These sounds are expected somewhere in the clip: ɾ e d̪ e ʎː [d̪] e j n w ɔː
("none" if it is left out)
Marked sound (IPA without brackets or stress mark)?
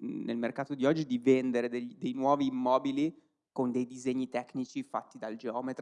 d̪